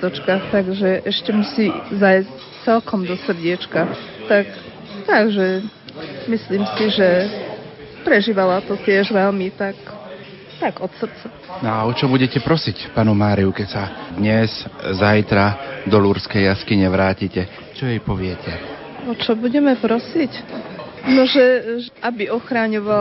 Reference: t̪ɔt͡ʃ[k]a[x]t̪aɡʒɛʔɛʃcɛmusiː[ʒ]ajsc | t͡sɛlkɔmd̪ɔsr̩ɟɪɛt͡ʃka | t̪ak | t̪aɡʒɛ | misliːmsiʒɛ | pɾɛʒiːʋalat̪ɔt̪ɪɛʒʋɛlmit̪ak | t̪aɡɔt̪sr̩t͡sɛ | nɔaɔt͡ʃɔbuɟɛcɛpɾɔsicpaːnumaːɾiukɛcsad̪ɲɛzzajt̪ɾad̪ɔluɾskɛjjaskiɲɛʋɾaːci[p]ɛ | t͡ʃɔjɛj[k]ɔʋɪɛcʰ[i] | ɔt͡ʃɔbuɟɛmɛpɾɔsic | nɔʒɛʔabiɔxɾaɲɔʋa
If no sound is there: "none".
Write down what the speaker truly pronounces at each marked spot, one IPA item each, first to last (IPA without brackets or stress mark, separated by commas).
k, x, z, c, p, ɛ